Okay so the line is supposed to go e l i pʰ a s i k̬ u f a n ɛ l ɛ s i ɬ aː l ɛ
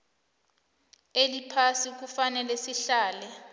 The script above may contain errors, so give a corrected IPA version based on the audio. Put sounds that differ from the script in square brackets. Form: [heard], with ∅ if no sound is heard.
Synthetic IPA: e l i pʰ a s i k̬ u f a n ɛ l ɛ s i ɬ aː l ɛ

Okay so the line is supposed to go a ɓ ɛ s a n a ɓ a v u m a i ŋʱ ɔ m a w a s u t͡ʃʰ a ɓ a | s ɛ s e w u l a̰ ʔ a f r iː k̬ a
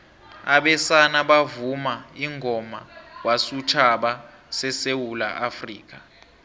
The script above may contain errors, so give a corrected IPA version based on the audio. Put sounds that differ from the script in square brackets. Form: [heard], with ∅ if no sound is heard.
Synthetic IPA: a ɓ ɛ s a n a ɓ a v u m a i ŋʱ ɔ m a w a s u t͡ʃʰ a ɓ a | s ɛ s e w u l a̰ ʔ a f r iː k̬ a

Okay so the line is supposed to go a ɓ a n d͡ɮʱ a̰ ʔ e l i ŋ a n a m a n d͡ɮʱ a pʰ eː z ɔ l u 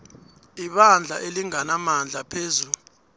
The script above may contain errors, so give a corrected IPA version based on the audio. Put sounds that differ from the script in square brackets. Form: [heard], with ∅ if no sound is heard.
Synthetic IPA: [i] ɓ a n d͡ɮʱ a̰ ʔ e l i ŋ a n a m a n d͡ɮʱ a pʰ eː z [u] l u

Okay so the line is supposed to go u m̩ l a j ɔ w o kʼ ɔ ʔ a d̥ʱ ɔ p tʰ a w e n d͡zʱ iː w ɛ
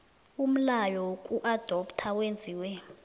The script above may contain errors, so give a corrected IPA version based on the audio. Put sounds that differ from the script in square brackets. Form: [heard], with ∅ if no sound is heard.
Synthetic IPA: u m̩ l a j ɔ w o kʼ [u] ʔ a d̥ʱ ɔ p tʰ a w e n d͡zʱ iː w ɛ

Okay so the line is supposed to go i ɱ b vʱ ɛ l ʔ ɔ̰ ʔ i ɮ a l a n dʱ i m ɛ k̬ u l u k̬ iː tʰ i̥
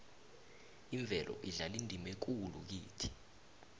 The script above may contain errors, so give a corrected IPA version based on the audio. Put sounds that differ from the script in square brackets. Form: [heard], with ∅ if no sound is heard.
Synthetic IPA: i ɱ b vʱ ɛ l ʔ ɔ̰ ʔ i ɮ a l [i] n dʱ i m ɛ k̬ u l u k̬ iː tʰ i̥

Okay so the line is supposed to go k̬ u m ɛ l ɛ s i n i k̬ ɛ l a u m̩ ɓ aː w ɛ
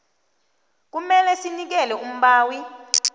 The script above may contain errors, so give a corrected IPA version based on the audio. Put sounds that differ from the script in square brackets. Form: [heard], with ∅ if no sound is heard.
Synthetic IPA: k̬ u m ɛ l ɛ s i n i k̬ ɛ l [ɛ] u m̩ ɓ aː w [i]

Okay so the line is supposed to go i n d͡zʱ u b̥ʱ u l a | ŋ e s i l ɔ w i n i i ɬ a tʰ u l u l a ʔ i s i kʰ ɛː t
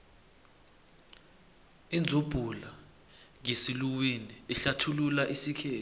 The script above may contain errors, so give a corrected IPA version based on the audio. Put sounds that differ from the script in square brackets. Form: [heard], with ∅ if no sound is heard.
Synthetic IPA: i n d͡zʱ u b̥ʱ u l a | ŋ e s i l [u] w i n i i ɬ a tʰ u l u l a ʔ i s i kʰ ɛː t

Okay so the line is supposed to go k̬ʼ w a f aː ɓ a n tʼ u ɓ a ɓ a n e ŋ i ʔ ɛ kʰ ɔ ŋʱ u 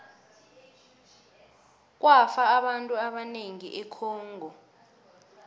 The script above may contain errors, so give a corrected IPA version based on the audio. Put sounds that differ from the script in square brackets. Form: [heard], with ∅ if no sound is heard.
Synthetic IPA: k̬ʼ w a f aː ɓ a n tʼ u [∅] a ɓ a n e ŋ i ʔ ɛ kʰ [ɔː] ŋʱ [ɔ]

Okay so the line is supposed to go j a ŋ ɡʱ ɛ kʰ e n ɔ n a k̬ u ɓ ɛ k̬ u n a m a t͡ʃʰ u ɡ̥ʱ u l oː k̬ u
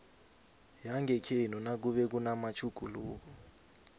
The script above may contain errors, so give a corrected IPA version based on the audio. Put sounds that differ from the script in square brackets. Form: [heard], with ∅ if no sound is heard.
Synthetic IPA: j a ŋ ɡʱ ɛ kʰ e n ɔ n a k̬ u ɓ ɛ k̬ u n a m a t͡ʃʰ u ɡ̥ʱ u l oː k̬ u

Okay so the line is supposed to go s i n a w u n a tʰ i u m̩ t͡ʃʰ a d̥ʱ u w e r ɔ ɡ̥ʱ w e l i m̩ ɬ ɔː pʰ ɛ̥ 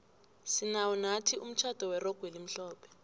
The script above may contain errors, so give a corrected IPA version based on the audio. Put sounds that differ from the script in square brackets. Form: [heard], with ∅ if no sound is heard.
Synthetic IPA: s i n a w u n a tʰ i u m̩ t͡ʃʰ a d̥ʱ [ɔ] w [ɛ] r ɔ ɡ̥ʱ w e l i m̩ ɬ ɔː pʰ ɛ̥

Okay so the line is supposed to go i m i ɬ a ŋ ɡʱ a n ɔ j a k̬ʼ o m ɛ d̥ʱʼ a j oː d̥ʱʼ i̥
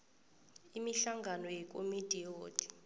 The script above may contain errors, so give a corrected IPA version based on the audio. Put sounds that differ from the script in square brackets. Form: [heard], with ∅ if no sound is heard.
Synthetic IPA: i m i ɬ a ŋ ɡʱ a n ɔ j [ɛ] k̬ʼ o m [i] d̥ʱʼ [i] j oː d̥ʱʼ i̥

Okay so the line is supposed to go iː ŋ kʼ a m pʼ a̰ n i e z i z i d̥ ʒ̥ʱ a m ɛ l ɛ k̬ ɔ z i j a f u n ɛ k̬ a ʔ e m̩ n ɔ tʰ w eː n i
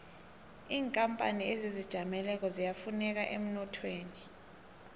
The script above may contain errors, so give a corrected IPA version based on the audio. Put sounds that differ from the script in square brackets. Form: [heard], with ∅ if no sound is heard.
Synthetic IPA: iː ŋ kʼ a m pʼ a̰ n i e z i z i d̥ ʒ̥ʱ a m ɛ l ɛ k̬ ɔ z i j a f u n ɛ k̬ a ʔ e m̩ n ɔ tʰ w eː n i

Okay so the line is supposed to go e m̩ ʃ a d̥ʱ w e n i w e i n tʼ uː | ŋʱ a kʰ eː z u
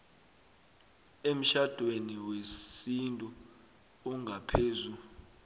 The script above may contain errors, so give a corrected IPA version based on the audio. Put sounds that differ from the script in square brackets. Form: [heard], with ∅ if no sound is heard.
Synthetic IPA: e m̩ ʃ a d̥ʱ w e n i w e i n tʼ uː | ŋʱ a [pʰ] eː z u

